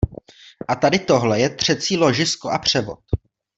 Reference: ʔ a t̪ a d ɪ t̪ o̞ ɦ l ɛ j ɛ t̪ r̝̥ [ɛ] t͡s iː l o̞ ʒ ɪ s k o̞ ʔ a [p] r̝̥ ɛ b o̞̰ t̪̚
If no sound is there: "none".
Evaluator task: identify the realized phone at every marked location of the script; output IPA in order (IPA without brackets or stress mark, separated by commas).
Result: ɛ, p